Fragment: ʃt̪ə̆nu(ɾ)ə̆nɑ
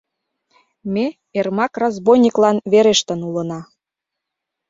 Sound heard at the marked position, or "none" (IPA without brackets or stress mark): l